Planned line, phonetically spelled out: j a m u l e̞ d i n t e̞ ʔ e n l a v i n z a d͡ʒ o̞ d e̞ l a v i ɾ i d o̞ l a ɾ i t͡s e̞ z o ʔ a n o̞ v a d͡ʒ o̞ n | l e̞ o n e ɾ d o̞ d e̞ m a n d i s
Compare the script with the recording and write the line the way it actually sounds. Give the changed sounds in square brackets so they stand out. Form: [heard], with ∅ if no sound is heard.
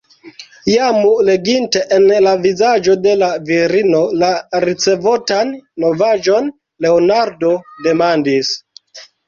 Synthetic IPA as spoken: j a m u l e̞ [ɡ] i n t e̞ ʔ e n l a v i [∅] z a d͡ʒ o̞ d e̞ l a v i ɾ i [n] o̞ l a ɾ i t͡s e̞ [v] o [t] a [nː] o̞ v a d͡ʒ o̞ n | l e̞ o n [a] ɾ d o̞ d e̞ m a n d i s